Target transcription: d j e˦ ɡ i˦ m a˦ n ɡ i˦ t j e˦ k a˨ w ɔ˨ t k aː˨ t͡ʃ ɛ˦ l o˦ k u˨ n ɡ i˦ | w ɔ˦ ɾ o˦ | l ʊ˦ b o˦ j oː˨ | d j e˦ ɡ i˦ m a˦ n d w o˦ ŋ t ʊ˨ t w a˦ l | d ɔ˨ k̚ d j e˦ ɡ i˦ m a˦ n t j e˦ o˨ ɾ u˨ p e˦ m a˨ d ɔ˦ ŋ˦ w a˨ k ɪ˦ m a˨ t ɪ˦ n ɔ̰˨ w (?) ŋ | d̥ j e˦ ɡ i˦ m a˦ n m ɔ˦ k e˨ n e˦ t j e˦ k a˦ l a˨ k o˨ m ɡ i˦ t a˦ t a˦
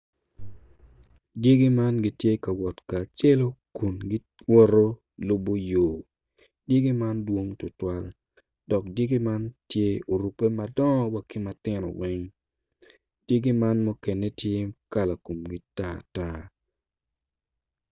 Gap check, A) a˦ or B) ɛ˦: B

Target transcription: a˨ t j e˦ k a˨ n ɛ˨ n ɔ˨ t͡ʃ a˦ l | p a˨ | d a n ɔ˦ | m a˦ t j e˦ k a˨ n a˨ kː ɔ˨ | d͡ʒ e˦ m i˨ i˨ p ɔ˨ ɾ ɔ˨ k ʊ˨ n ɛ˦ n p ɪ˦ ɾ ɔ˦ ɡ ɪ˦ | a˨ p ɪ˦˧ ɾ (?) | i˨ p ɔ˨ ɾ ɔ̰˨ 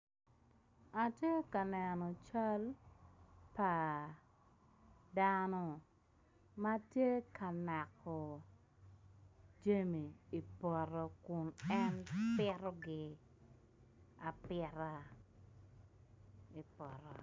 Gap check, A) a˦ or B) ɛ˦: A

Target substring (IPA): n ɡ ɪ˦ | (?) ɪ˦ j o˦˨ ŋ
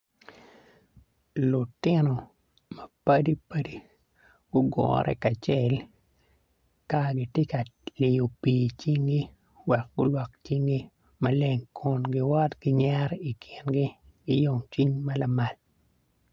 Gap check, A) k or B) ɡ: B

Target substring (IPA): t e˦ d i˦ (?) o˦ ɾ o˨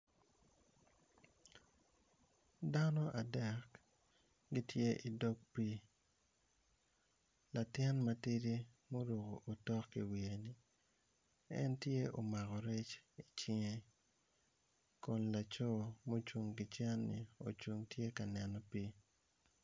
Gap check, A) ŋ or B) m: B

